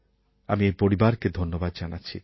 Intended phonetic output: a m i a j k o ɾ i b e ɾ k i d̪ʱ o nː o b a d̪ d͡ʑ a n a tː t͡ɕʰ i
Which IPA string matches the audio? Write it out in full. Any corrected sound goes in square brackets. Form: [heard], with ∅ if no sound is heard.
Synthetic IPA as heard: a m i [e] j [p] o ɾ i b [a] ɾ k [e] d̪ʱ o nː o b a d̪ d͡ʑ a n a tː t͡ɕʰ i